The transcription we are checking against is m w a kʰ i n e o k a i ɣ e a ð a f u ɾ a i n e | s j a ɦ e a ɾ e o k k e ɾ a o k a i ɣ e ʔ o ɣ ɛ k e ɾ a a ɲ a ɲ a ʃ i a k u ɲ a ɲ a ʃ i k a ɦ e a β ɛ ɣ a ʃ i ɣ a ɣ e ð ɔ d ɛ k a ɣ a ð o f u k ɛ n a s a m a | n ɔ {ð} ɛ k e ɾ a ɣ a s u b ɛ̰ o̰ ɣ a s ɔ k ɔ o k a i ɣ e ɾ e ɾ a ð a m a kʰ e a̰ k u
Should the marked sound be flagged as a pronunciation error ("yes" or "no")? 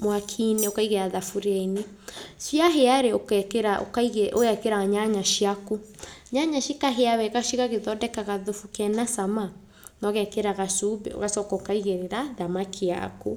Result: yes